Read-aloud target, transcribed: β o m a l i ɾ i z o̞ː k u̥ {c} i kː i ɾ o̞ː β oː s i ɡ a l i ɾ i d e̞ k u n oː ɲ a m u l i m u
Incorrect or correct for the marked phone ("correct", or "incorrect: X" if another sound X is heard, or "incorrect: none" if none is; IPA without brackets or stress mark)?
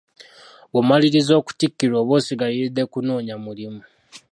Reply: incorrect: t